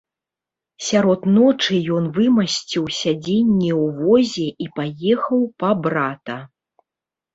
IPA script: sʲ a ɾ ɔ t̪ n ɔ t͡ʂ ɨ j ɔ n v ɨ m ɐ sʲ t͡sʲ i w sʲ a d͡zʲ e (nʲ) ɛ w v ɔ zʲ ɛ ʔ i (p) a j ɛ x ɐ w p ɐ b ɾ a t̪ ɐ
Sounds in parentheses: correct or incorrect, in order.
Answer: incorrect: nʲː, correct

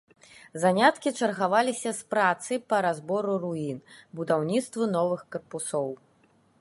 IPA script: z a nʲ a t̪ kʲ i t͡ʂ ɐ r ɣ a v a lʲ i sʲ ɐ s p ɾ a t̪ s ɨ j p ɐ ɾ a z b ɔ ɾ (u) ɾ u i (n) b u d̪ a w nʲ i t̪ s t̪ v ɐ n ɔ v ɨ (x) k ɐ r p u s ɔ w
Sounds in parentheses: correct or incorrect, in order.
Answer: correct, correct, correct

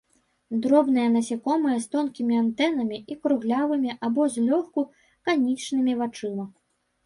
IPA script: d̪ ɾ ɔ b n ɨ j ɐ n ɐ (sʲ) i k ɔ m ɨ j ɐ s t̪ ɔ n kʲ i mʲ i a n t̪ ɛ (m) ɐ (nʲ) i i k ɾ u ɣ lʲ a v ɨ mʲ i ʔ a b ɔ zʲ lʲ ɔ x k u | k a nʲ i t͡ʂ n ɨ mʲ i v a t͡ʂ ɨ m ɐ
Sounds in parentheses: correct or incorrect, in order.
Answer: correct, incorrect: n, incorrect: mʲ

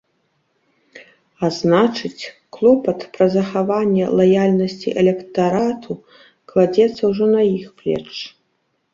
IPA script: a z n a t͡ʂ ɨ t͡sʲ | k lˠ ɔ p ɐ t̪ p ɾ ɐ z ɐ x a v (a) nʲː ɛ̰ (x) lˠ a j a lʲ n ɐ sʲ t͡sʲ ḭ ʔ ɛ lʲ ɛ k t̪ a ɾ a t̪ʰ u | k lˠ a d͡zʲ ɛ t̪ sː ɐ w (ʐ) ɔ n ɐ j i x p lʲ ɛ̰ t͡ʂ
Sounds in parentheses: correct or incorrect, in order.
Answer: correct, incorrect: none, correct

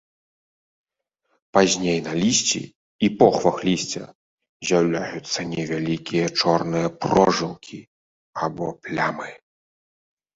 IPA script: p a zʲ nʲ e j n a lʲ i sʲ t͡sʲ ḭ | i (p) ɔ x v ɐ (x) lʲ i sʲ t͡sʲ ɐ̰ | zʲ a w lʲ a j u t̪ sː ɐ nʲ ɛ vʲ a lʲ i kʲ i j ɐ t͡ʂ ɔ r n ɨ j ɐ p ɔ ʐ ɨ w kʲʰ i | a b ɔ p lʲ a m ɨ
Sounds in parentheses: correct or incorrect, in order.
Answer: correct, correct

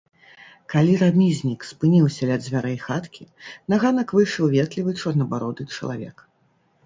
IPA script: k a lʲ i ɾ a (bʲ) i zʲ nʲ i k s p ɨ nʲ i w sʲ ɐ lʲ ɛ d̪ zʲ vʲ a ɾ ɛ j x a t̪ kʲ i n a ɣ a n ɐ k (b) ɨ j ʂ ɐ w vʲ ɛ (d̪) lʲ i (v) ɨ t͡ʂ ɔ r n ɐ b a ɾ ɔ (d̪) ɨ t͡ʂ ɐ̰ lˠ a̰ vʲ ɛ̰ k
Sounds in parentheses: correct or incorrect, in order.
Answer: incorrect: mʲ, incorrect: v, incorrect: t̪, correct, correct

